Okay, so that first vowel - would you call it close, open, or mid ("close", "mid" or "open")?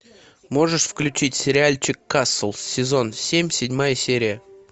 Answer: mid